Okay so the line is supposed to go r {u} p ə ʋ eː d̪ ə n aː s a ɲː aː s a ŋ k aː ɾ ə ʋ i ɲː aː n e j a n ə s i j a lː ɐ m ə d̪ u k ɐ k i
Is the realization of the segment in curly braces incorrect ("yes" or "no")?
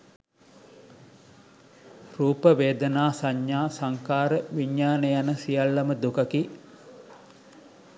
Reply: yes